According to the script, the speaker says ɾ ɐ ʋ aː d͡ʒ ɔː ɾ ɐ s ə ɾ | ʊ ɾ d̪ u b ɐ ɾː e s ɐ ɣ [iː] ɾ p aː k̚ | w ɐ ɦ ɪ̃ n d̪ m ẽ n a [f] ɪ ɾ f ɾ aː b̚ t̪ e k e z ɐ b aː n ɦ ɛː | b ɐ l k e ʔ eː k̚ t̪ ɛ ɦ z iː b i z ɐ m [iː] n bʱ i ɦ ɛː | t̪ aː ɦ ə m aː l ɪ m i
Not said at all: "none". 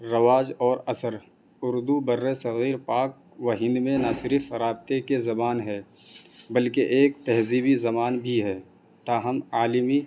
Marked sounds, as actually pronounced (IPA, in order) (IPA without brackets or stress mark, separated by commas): iː, s, aː